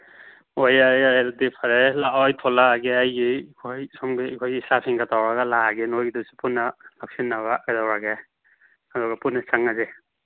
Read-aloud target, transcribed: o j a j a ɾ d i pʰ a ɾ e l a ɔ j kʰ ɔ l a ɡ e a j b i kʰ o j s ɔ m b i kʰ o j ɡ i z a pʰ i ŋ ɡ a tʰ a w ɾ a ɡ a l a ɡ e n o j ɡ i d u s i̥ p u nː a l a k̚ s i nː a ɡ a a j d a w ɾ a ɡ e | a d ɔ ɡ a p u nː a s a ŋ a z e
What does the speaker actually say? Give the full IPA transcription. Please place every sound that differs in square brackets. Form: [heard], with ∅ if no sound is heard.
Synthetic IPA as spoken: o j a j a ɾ d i pʰ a ɾ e l a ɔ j [tʰ] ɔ l a ɡ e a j [ɡ] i kʰ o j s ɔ m [ɡ] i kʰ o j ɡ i [s] a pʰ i ŋ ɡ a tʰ a w ɾ a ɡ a l a ɡ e n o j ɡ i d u s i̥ p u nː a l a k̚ s i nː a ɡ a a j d a w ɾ a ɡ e | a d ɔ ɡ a p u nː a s a ŋ a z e